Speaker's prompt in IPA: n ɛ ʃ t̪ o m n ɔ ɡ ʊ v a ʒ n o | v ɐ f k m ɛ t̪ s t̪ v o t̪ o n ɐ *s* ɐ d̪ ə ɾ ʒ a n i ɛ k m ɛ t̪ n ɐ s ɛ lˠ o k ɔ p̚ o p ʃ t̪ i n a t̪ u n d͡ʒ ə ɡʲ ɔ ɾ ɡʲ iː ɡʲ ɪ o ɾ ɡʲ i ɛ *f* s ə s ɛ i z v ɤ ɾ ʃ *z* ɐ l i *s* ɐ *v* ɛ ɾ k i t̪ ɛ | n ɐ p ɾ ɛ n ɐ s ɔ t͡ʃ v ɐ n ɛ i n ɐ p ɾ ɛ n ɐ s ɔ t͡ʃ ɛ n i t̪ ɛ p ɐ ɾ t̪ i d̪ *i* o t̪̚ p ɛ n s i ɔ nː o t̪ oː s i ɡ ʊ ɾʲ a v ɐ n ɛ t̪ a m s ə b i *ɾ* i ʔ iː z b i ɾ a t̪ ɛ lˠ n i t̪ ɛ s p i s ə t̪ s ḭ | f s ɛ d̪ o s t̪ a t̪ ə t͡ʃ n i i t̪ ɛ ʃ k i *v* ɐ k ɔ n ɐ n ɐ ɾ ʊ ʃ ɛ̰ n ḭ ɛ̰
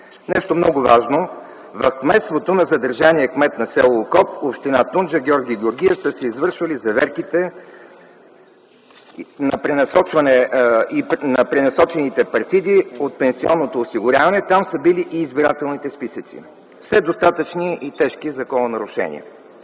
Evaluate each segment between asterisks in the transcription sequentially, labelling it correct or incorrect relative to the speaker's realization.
incorrect: z, correct, incorrect: v, incorrect: z, correct, correct, incorrect: l, incorrect: z

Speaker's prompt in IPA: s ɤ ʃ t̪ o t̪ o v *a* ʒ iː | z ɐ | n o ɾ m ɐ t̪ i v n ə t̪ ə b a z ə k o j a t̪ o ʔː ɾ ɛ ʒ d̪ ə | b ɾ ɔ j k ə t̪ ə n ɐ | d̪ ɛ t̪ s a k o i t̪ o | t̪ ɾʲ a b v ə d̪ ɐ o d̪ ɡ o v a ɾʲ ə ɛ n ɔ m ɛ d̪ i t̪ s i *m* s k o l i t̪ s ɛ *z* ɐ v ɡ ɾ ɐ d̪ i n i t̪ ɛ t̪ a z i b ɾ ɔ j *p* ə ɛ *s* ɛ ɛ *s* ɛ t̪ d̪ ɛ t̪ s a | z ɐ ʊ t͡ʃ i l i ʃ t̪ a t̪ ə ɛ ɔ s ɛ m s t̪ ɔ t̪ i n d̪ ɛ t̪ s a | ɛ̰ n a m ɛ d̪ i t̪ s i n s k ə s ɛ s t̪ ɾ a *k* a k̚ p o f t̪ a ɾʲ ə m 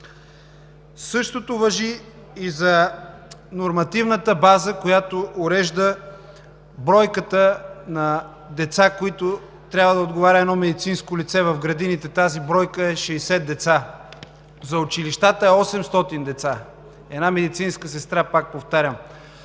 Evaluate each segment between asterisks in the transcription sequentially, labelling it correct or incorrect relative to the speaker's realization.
incorrect: ɐ, incorrect: n, incorrect: v, incorrect: k, incorrect: ʃ, correct, incorrect: p

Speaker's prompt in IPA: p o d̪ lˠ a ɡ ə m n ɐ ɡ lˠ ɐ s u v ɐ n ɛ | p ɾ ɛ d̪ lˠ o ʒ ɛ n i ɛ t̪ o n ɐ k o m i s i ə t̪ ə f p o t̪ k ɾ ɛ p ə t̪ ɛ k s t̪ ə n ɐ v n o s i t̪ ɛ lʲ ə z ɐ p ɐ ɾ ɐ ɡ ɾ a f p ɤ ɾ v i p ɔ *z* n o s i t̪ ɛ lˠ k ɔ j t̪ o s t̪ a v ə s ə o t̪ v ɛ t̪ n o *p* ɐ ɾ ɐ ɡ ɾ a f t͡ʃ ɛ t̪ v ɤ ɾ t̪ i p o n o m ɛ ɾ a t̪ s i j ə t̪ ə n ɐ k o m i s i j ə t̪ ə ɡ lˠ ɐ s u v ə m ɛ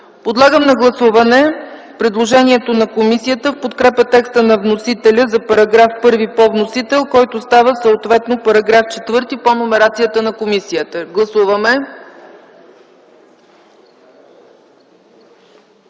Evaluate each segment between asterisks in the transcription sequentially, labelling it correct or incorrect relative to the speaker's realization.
incorrect: v, correct

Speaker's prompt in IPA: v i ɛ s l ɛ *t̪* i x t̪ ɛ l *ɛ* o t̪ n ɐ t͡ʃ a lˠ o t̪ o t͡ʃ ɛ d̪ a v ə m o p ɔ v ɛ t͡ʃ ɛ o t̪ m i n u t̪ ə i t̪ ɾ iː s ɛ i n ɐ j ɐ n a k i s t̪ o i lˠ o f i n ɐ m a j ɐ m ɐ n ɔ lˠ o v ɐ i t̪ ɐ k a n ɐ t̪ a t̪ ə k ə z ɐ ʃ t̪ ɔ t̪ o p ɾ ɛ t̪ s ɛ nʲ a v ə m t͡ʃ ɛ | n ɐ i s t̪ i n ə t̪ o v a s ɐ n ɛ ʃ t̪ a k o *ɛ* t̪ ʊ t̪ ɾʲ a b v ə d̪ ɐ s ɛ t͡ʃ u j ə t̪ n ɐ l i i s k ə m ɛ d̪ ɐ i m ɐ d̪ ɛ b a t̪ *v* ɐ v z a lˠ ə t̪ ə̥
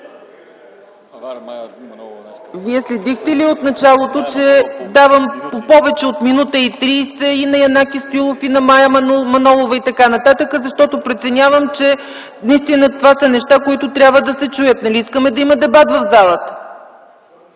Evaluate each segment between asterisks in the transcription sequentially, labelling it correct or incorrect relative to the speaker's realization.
incorrect: d̪, incorrect: i, incorrect: i, correct

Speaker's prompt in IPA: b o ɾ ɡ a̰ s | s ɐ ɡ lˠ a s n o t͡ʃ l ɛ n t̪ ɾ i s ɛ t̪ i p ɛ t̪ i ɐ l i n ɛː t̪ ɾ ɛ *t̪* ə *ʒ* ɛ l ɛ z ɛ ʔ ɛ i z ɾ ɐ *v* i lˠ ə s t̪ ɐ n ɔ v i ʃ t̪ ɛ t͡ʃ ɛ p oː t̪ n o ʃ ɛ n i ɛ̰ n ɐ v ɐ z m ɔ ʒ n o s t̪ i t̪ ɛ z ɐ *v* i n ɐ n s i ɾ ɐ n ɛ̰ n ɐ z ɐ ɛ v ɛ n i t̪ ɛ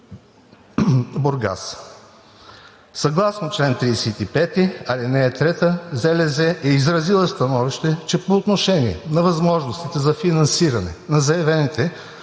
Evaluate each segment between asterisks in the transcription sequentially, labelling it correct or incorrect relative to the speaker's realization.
correct, incorrect: z, incorrect: z, incorrect: f

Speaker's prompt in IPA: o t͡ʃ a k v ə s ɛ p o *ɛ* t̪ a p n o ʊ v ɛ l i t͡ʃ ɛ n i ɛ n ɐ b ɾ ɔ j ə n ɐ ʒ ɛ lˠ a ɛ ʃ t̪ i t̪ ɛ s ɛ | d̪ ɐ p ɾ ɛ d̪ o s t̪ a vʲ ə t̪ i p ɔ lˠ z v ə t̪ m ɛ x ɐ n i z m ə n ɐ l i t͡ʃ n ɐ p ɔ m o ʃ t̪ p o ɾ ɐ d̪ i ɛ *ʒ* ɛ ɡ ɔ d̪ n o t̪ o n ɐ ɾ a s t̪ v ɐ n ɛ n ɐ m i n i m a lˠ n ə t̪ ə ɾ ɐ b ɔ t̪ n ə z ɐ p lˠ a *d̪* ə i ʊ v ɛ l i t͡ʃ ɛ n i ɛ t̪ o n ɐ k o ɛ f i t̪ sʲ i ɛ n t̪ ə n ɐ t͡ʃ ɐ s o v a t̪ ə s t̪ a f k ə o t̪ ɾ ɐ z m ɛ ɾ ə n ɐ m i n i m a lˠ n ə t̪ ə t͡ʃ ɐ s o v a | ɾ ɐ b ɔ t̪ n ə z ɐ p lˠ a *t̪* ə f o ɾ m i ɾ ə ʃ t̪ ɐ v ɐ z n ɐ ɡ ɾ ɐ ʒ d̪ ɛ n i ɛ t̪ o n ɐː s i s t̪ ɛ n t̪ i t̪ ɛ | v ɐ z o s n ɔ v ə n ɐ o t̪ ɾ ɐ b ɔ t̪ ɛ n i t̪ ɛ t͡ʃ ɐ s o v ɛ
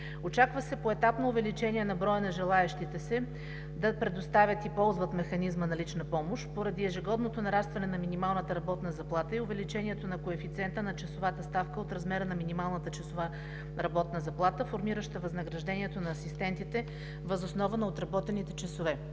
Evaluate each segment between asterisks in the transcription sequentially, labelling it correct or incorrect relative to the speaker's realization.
correct, correct, incorrect: t̪, correct

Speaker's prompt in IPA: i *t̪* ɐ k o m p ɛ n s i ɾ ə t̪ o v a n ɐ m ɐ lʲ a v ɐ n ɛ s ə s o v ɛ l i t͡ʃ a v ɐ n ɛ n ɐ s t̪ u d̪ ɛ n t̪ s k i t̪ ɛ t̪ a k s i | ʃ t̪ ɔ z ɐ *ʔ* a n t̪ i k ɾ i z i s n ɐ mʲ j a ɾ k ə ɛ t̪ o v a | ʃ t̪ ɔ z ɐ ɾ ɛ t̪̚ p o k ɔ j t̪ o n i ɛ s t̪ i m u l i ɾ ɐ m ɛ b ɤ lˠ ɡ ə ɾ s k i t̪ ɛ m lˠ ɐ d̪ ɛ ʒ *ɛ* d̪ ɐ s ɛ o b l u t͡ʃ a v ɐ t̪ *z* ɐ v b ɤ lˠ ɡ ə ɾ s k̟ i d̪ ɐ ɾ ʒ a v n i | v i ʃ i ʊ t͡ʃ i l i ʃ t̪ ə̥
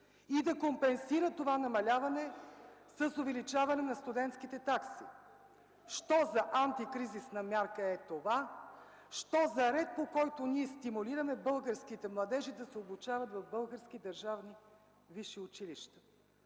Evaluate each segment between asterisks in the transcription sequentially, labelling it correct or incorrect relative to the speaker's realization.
incorrect: d̪, correct, incorrect: i, incorrect: v

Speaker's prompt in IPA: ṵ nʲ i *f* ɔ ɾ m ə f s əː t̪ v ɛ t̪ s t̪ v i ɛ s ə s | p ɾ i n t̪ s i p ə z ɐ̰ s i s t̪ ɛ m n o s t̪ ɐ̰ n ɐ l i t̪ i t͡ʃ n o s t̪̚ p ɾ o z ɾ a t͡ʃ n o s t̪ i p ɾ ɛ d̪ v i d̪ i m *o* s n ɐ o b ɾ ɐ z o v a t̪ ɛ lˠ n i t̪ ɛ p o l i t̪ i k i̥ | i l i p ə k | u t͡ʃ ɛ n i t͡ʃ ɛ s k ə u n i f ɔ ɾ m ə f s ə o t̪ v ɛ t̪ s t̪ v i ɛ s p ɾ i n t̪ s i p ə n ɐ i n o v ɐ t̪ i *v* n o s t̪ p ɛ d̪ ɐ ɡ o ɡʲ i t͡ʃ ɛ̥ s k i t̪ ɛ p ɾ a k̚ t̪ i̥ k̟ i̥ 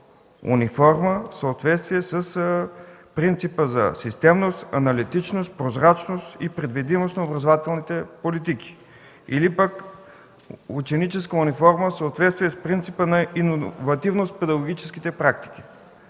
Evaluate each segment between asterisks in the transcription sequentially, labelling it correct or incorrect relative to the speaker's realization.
correct, correct, correct

